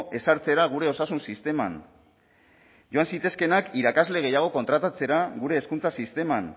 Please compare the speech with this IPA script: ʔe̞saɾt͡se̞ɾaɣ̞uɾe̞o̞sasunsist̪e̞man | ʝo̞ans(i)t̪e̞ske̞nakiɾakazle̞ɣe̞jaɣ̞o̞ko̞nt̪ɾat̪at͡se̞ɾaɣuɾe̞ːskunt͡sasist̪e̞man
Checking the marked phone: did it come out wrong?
no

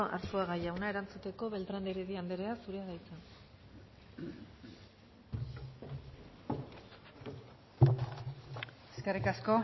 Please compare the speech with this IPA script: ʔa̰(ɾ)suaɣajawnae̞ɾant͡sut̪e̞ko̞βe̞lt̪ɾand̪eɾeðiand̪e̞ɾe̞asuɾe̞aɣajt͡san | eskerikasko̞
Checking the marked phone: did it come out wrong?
no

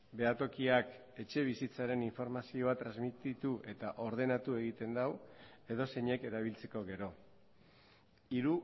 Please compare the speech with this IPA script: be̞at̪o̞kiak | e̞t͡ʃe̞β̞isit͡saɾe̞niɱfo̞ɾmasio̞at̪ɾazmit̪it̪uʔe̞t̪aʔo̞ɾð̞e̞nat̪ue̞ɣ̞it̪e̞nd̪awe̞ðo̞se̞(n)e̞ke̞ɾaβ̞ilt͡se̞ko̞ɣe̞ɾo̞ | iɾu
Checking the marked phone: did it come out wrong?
yes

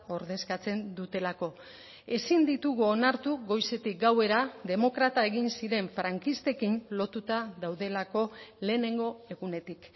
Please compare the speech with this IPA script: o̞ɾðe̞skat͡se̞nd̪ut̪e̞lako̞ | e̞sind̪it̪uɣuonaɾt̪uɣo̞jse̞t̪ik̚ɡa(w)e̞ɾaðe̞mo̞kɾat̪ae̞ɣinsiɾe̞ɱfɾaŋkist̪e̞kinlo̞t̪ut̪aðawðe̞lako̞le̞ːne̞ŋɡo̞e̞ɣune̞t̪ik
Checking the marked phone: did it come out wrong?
no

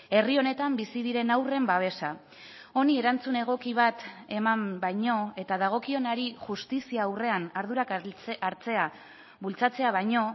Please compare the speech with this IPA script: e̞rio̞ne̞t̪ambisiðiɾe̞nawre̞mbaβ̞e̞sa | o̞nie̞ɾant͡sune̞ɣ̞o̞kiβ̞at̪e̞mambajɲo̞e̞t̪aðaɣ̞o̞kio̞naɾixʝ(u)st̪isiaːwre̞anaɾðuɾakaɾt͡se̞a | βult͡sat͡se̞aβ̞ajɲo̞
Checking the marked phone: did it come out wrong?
no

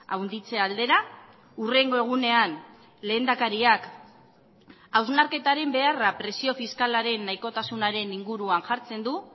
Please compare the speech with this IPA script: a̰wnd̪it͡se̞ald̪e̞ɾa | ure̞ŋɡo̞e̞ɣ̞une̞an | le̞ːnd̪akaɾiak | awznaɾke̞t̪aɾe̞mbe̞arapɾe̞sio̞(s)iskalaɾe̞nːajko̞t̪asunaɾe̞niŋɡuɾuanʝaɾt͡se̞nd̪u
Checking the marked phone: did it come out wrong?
yes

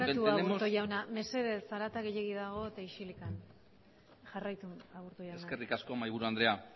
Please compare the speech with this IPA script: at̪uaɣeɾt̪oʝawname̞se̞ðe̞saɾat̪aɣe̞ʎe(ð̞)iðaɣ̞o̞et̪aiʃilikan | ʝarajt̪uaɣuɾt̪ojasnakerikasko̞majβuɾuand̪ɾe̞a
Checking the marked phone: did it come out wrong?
yes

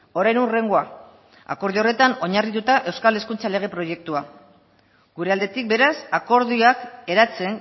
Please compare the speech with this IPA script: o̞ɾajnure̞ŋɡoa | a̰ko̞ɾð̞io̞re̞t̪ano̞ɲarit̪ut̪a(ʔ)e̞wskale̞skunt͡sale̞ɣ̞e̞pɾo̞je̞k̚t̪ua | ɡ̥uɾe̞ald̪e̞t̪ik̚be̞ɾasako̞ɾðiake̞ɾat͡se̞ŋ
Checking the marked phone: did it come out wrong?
no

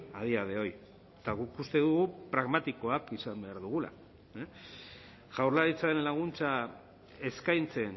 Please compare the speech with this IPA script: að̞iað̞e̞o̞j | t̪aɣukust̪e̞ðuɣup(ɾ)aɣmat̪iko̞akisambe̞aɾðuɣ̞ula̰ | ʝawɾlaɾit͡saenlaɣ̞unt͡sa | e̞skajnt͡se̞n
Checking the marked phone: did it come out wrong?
no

